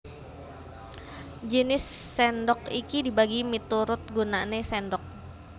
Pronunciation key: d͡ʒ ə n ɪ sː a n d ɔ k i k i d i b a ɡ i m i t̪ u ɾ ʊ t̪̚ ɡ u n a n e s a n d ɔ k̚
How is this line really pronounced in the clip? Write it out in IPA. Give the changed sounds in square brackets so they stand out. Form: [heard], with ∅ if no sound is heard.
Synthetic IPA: d͡ʒ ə n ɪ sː [ɛ] n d ɔ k i k i d i b a ɡ i m i t̪ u ɾ ʊ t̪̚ ɡ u n a n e s [ɛ] n d ɔ k̚